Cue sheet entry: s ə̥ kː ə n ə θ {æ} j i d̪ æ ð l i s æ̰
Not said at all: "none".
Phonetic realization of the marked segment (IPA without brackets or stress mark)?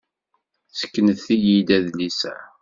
i